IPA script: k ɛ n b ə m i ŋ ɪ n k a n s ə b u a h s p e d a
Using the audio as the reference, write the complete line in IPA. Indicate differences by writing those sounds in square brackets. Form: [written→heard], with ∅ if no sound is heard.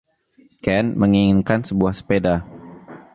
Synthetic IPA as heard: k ɛ n [b→m] ə [m→ŋ] i ŋ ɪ n k a n s ə b u a h s p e d a